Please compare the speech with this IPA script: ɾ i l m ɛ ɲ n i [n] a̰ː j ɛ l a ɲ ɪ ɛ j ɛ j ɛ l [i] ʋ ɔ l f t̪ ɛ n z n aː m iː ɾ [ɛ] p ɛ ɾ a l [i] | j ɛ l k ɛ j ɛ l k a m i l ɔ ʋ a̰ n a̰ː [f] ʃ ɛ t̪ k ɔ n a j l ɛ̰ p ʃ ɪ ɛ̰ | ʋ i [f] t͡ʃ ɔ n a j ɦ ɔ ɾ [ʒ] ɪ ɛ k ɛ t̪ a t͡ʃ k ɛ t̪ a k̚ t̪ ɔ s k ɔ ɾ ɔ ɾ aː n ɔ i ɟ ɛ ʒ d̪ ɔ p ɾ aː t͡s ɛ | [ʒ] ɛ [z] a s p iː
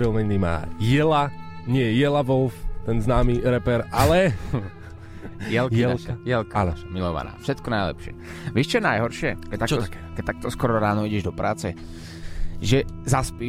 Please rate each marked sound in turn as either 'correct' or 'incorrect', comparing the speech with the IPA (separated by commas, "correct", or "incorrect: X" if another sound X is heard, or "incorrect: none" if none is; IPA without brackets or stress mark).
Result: incorrect: m, incorrect: a, correct, incorrect: ɛ, correct, incorrect: ʃ, incorrect: ʃ, correct, correct